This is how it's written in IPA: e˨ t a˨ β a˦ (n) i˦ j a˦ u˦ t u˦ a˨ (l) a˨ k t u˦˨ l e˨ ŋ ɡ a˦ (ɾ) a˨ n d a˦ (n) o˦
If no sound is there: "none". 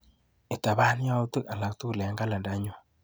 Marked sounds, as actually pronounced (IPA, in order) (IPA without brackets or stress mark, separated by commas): n, l, l, ɲ